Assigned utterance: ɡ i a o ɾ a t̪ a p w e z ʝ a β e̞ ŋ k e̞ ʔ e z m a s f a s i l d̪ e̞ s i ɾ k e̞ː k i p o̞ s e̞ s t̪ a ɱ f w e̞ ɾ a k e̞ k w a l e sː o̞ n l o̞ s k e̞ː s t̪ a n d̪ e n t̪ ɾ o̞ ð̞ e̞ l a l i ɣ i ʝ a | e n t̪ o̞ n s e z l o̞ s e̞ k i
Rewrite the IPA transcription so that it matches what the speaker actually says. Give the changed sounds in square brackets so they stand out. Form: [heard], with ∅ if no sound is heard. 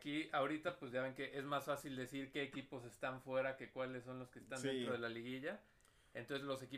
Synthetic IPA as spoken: [k] i a o ɾ [i] t̪ a p w e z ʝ a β e̞ ŋ k e̞ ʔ e z m a s f a s i l d̪ e̞ s i ɾ k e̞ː k i p o̞ s e̞ s t̪ a ɱ f w e̞ ɾ a k e̞ k w a l e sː o̞ n l o̞ s k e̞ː s t̪ a n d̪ e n t̪ ɾ o̞ ð̞ e̞ l a l i ɣ i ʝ a | e n t̪ o̞ n s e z l o̞ s e̞ k i